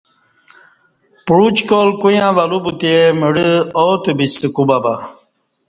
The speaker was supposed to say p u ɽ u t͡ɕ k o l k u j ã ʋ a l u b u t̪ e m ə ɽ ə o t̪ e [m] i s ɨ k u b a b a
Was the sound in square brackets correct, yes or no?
no